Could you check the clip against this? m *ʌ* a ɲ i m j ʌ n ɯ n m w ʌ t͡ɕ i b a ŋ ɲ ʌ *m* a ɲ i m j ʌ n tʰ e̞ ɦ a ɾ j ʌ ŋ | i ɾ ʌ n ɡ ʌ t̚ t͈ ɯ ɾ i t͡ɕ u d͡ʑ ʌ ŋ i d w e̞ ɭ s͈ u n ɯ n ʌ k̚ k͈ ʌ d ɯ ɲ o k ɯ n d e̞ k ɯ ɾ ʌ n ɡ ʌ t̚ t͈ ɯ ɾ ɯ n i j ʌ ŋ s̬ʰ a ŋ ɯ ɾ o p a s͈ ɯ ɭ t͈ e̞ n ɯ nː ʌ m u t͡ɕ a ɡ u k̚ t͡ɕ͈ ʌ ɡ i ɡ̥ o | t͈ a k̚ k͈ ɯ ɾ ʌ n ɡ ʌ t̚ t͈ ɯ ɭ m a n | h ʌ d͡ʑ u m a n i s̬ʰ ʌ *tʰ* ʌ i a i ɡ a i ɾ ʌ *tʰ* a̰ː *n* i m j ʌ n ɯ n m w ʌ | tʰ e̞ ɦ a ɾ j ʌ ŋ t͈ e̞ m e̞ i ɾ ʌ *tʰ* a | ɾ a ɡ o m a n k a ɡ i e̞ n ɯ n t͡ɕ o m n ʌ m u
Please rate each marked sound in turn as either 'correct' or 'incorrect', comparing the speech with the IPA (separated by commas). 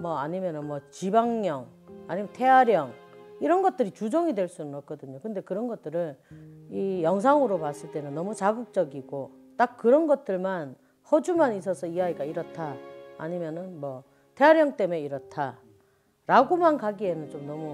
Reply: correct, incorrect, incorrect, correct, incorrect, correct